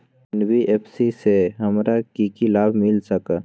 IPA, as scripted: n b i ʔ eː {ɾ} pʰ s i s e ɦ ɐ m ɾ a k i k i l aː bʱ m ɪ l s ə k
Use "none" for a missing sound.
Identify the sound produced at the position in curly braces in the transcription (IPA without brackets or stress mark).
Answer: none